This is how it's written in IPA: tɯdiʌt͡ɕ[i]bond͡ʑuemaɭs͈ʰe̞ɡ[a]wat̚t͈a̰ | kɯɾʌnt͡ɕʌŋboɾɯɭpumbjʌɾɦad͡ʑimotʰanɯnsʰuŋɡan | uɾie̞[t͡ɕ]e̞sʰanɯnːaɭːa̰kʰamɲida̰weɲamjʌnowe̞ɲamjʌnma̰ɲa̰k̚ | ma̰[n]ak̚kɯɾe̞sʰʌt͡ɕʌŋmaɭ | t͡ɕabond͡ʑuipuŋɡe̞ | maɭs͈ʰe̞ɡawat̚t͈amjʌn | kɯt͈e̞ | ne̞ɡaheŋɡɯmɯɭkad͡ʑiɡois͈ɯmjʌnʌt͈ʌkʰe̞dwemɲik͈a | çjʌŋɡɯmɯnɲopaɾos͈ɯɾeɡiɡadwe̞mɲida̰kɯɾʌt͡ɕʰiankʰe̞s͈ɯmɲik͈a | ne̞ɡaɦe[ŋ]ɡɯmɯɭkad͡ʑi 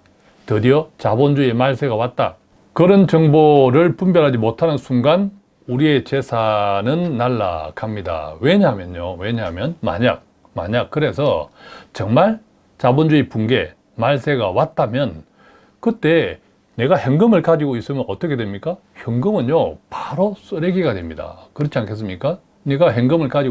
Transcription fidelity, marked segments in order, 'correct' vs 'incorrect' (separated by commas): incorrect, correct, correct, incorrect, correct